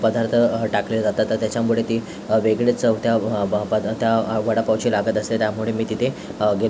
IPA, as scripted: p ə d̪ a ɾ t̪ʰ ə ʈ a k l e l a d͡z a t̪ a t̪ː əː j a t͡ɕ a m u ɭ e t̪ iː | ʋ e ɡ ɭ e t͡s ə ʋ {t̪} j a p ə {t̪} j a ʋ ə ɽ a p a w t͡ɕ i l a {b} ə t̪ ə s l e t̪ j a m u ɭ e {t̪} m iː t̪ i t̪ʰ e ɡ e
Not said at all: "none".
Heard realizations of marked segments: t̪, t̪, ɡ, none

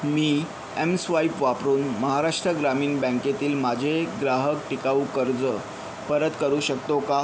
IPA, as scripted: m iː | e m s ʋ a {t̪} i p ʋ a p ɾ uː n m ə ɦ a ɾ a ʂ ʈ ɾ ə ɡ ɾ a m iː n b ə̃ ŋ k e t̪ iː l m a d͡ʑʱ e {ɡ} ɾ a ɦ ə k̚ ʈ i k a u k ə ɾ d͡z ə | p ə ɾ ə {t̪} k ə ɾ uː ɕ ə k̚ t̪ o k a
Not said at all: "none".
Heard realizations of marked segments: none, ɡ, t̪

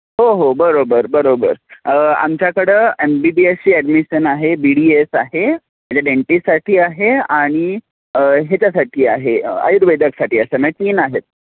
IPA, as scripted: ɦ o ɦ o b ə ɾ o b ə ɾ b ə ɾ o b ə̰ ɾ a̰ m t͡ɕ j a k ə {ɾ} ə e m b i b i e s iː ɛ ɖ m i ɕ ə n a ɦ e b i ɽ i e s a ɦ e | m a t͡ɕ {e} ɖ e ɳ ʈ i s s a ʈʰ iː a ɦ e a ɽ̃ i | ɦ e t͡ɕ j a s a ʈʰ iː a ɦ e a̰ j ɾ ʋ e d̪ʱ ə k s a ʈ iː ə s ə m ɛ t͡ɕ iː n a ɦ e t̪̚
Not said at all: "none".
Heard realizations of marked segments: ɽ, a

